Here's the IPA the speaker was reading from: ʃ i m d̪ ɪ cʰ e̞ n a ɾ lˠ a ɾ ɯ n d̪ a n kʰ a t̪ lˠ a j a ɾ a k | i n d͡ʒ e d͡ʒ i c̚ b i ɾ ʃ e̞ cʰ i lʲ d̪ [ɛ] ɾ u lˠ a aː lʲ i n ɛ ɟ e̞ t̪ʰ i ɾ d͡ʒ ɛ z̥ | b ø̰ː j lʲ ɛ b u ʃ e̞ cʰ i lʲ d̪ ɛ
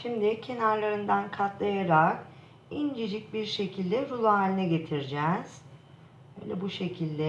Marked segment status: correct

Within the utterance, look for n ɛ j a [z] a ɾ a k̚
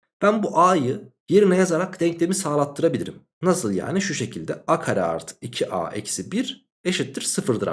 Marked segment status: correct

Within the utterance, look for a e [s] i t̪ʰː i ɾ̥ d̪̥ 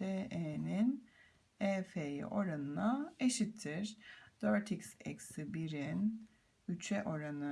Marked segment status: incorrect: ʃ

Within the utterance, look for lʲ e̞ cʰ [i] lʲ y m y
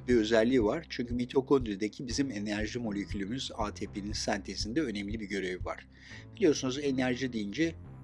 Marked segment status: incorrect: y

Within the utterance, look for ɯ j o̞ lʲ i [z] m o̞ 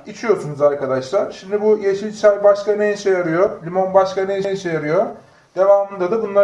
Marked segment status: incorrect: none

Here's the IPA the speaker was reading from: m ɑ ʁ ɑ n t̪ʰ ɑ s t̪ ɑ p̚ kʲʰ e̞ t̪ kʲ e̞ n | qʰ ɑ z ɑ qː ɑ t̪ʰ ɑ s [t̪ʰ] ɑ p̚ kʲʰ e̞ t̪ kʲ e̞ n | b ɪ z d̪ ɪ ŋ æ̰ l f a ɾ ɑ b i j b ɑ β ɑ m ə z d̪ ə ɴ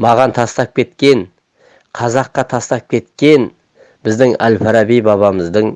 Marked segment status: incorrect: t̪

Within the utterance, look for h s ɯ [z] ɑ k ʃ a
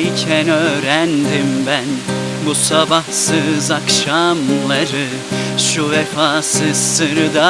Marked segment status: correct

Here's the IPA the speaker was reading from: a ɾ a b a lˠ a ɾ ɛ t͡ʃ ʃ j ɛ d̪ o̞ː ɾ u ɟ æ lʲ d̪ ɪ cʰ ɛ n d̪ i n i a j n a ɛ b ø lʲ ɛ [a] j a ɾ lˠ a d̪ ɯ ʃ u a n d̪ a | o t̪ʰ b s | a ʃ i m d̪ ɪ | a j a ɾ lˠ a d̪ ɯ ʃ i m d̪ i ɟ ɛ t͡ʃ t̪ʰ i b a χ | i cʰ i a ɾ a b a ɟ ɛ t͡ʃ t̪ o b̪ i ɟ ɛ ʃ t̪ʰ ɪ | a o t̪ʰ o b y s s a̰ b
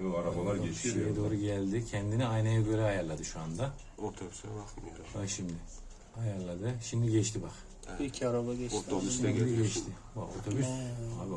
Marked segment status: correct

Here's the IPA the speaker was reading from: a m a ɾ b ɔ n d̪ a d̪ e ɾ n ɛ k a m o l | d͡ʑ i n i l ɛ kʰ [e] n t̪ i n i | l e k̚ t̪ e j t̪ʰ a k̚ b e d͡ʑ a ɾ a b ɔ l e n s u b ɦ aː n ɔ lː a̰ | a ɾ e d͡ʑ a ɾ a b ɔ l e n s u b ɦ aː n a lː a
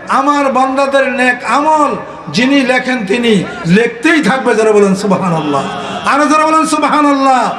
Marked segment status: correct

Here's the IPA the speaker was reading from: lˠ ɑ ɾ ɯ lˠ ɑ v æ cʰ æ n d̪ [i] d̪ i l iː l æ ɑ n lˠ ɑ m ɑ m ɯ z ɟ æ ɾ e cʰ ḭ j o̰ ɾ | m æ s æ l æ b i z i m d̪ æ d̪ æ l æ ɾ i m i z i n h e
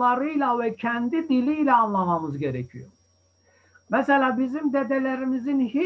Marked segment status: correct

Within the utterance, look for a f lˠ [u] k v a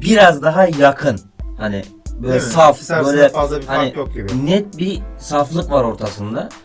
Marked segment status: incorrect: ɯ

